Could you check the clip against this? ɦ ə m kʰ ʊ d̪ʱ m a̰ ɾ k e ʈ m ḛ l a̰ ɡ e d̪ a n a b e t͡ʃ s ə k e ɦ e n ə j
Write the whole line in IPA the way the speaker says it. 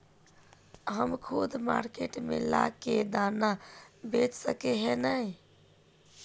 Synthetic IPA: ɦ ə m kʰ u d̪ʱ m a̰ ɾ k e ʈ m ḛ l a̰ k e d̪ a n a b e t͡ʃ s ə k e ɦ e n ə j